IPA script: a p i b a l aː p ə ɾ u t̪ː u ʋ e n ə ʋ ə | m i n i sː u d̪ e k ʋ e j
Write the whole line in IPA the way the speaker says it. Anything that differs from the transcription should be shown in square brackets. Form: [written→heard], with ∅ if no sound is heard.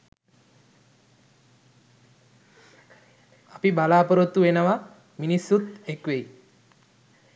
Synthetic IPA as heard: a p i b a l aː p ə ɾ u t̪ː u ʋ e n ə ʋ [ə→a] | m i n i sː u [d̪→t̪] e k ʋ e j